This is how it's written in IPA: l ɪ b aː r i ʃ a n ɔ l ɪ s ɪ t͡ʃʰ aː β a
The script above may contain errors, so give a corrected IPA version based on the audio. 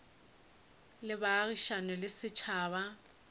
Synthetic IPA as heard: l ɪ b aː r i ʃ a n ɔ l ɪ s ɪ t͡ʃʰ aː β a